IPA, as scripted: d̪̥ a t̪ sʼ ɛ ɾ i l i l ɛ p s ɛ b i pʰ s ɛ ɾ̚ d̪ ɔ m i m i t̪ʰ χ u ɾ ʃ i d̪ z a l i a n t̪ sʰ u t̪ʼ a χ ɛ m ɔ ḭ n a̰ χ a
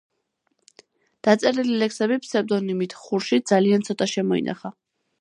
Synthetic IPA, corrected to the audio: d̪̥ a t̪ sʼ ɛ ɾ i l i l ɛ k s ɛ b i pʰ s ɛ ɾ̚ d̪ ɔ n i m i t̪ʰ χ u ɾ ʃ i d̪ z a l i a n t̪ sʰ ɔ t̪ʼ a ʃ ɛ m ɔ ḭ n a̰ χ a